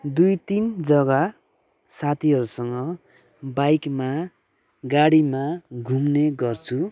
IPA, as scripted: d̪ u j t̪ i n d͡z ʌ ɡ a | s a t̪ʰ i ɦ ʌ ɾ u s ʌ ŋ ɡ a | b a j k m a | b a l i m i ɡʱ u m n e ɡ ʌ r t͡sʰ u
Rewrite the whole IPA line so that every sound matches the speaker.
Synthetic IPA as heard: d̪ u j t̪ i n d͡z ʌ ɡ a | s a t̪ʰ i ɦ ʌ ɾ u s ʌ ŋ ɡ ʌ | b a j k m a | ɡ a ɽ i m a ɡʱ u m n e ɡ ʌ r t͡sʰ u